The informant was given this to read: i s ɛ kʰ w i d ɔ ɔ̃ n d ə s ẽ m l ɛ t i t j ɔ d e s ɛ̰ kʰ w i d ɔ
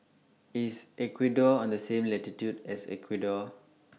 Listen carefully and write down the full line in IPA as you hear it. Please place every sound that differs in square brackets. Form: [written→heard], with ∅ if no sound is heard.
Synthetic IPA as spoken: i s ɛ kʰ w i d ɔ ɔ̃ n d ə s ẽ m l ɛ t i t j [ɔ→u] d [e→ɛ] s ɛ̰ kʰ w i d ɔ